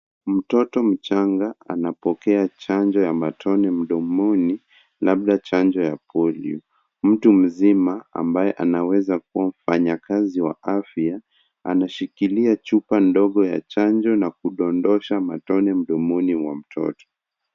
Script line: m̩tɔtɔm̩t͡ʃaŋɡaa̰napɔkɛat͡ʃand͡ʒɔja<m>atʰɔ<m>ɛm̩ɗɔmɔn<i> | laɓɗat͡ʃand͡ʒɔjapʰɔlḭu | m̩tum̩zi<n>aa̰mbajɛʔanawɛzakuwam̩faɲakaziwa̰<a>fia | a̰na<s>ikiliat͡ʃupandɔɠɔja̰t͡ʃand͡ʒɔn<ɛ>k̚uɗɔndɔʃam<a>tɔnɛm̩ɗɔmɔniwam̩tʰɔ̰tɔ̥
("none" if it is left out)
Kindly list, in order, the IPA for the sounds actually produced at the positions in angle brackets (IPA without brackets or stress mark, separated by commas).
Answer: m, n, i, m, a, ʃ, a, a